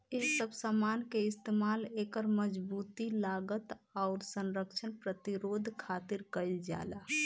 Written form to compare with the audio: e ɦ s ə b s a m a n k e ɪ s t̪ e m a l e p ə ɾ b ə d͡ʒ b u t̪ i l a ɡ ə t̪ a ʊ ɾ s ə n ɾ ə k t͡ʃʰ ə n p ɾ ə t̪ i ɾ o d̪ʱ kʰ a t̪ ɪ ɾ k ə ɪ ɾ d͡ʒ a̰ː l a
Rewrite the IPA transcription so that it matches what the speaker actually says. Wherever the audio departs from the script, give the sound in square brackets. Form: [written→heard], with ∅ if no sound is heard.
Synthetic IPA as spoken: e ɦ s ə b s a m a n k e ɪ s t̪ e m a l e [p→k] ə ɾ [b→m] ə d͡ʒ b u t̪ i l a ɡ ə t̪ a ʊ ɾ s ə n ɾ ə k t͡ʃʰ ə n p ɾ ə t̪ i ɾ o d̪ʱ kʰ a t̪ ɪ ɾ k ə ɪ [ɾ→l] d͡ʒ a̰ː l a